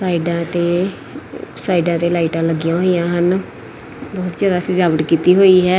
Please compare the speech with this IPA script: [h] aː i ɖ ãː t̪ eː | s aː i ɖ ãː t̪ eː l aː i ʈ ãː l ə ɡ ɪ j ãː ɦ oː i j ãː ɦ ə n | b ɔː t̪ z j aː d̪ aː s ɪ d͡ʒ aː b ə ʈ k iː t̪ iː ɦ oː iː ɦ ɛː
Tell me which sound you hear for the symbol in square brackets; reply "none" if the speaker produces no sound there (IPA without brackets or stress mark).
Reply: s